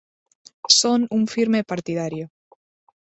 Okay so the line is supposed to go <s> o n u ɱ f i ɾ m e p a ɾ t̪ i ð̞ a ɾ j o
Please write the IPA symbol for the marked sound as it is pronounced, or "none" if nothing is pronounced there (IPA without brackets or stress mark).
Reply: s